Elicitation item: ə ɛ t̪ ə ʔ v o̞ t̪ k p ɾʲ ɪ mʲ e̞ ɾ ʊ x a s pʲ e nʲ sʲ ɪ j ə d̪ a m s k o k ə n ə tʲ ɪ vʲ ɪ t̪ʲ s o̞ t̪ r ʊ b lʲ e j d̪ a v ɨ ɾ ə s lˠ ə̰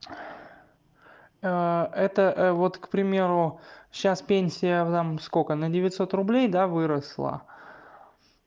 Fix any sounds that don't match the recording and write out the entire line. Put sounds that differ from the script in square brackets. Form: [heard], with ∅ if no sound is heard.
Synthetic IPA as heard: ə ɛ t̪ ə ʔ v o̞ t̪ k p ɾʲ ɪ mʲ e̞ ɾ ʊ [ɕ] a s pʲ e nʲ sʲ ɪ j ə [t̪] a m s k o k ə n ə [dʲ] ɪ vʲ ɪ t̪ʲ s o̞ t̪ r ʊ b lʲ e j d̪ a v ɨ ɾ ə s lˠ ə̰